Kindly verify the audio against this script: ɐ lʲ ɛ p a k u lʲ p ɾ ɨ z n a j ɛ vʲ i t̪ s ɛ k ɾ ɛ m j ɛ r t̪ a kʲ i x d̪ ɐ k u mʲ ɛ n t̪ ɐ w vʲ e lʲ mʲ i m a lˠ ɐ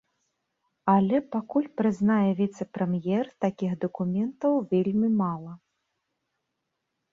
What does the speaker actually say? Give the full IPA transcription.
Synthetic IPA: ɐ lʲ ɛ p a k u lʲ p ɾ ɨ z n a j ɛ vʲ i t̪ s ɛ p ɾ ɛ m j ɛ r t̪ a kʲ i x d̪ ɐ k u mʲ ɛ n t̪ ɐ w vʲ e lʲ mʲ i m a lˠ ɐ